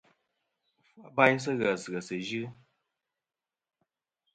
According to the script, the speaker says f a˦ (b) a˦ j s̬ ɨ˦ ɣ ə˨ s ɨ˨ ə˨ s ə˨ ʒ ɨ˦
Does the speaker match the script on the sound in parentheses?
yes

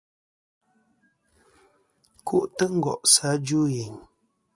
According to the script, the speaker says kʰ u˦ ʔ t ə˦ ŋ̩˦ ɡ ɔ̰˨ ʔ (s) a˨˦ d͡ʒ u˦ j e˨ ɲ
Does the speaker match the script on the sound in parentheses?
yes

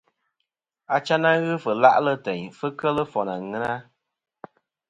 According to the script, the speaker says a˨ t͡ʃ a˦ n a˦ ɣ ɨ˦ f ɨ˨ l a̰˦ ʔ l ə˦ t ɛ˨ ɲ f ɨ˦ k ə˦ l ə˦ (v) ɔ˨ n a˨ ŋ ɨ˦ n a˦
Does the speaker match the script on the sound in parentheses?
no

